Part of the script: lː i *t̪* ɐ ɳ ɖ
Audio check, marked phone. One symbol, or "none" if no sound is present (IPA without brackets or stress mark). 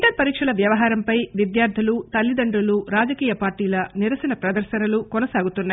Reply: d̪